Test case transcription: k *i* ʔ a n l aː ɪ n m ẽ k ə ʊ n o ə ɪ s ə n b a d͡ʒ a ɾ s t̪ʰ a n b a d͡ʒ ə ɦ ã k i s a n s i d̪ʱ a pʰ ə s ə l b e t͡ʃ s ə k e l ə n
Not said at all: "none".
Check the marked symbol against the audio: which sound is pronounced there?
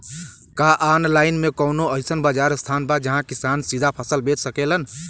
a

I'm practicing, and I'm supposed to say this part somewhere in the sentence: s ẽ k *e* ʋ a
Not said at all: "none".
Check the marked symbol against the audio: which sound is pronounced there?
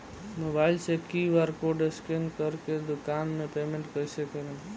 i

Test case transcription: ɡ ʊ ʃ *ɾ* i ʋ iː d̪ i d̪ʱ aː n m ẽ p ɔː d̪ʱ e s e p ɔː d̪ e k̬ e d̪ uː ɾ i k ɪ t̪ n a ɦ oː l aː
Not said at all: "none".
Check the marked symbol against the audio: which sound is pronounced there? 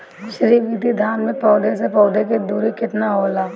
ɾ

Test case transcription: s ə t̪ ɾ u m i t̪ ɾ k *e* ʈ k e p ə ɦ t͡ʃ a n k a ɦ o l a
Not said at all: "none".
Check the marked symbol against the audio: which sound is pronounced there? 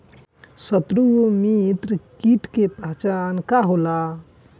i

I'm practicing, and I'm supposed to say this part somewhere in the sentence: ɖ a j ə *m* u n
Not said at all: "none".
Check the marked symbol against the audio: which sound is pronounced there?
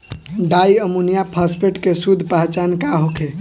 m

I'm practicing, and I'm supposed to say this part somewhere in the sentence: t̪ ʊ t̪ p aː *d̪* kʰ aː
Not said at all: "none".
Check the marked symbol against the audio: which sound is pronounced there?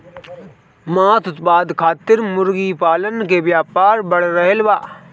d̪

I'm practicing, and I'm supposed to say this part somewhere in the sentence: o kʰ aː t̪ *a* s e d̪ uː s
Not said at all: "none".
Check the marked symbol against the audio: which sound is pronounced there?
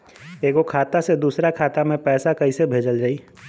a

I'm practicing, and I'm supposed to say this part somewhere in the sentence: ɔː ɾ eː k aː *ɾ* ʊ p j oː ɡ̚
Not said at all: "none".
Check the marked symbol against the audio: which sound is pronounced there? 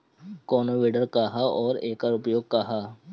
ɾ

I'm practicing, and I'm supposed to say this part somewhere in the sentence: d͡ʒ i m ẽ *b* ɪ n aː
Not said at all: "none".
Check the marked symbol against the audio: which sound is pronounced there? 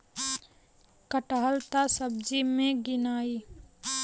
ɡ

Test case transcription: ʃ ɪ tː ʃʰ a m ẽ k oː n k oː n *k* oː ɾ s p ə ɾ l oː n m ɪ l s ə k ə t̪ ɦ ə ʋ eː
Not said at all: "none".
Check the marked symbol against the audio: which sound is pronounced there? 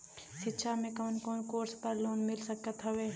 k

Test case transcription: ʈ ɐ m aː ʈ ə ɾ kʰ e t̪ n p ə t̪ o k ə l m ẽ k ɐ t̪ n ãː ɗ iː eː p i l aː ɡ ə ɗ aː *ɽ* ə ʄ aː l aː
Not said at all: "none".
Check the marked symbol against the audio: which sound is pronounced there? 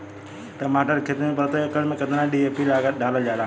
l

